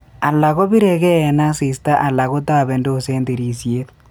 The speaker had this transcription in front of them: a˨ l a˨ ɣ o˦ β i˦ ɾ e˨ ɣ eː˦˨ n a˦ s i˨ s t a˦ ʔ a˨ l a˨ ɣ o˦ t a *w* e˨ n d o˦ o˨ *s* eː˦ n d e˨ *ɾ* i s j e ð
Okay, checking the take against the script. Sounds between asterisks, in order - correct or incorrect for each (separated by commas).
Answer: incorrect, correct, correct